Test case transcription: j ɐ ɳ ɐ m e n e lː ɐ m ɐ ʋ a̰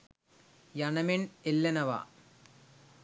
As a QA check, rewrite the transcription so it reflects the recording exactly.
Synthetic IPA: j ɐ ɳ ɐ m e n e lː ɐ n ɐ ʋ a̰